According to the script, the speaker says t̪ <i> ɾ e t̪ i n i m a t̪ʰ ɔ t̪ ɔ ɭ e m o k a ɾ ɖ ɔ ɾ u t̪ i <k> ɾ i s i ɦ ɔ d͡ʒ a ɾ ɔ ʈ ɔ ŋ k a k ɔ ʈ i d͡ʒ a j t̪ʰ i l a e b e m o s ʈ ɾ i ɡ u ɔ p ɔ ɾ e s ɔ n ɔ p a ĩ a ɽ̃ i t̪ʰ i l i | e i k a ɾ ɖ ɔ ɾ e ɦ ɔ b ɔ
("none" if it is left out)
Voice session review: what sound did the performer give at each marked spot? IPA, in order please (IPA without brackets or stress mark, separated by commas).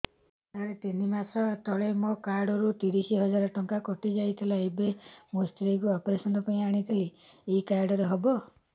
a, none